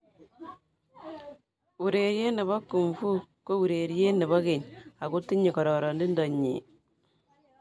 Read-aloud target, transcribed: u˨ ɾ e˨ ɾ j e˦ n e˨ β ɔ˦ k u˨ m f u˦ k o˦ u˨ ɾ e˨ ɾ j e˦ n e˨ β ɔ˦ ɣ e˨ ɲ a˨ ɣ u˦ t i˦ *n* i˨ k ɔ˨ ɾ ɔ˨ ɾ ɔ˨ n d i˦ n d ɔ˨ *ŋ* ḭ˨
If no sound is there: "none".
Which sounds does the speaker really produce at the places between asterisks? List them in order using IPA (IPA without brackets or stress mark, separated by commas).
ɲ, ɲ